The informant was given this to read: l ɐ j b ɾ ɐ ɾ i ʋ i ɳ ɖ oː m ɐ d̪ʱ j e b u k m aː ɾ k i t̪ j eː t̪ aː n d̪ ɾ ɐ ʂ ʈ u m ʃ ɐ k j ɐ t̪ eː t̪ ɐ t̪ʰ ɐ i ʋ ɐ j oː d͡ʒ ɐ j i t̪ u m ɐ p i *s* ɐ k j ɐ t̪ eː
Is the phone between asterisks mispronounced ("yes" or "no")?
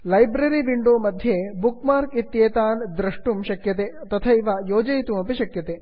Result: yes